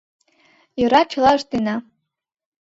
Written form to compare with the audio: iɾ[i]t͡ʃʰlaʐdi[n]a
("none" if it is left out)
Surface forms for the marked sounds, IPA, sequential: a, n

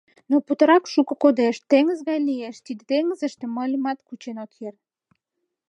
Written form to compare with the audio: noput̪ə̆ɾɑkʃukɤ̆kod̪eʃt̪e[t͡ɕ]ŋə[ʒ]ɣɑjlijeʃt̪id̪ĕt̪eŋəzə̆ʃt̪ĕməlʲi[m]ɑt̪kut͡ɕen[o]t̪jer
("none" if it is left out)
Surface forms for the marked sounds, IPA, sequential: none, z, m, o

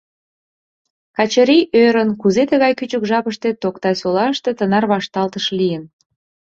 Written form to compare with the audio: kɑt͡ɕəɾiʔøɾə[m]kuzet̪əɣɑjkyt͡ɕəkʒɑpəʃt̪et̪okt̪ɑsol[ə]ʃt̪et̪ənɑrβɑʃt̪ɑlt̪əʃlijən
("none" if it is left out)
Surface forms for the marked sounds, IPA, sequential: n, ɑ

